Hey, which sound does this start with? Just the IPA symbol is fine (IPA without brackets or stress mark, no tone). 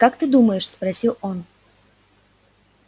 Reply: k